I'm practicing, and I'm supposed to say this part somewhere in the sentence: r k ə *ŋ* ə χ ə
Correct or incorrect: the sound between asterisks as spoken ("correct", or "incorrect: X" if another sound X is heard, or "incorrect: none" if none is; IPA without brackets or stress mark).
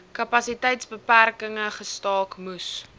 correct